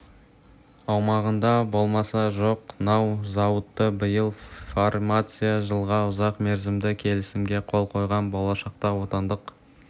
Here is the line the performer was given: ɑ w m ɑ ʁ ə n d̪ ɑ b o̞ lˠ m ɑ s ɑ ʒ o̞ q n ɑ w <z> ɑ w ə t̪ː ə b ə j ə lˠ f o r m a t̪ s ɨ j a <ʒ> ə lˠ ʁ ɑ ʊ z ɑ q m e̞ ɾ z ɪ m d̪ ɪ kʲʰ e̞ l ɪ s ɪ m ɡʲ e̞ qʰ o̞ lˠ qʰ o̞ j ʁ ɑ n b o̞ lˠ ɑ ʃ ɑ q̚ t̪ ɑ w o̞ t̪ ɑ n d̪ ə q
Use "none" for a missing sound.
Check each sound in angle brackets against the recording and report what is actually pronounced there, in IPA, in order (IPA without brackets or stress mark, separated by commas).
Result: z, ʒ